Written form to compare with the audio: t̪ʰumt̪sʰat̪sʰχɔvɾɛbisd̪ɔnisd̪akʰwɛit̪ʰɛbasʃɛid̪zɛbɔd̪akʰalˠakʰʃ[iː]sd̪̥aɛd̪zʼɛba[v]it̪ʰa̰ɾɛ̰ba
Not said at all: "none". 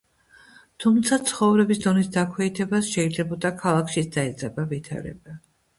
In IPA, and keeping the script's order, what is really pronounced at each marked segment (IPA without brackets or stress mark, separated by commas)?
i, v